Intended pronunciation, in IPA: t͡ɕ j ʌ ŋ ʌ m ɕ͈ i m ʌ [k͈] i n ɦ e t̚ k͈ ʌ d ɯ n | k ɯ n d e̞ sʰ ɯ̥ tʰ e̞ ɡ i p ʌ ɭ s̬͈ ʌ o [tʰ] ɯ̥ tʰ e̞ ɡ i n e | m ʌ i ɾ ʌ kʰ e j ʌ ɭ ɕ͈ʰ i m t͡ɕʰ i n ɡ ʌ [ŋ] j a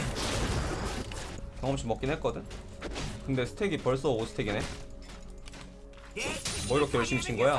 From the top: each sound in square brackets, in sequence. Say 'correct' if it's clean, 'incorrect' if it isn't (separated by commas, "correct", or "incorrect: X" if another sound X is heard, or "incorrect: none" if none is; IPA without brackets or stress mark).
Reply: correct, incorrect: sʰ, incorrect: none